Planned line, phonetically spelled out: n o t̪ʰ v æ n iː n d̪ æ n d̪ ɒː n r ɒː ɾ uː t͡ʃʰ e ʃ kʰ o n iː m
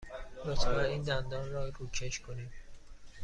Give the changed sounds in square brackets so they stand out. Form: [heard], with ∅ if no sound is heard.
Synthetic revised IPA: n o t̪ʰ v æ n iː n d̪ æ n d̪ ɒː n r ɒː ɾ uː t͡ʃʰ e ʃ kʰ o n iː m